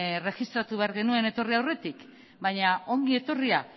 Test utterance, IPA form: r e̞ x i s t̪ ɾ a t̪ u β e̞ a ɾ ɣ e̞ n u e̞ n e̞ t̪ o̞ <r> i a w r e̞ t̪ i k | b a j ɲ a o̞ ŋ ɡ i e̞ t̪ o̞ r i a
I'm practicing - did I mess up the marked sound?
no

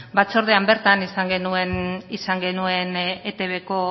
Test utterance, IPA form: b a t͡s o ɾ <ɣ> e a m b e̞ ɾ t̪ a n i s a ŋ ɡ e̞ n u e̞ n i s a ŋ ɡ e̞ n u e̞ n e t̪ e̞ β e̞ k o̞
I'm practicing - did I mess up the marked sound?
yes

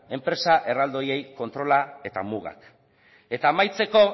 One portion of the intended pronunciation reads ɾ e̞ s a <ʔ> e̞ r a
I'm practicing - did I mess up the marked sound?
no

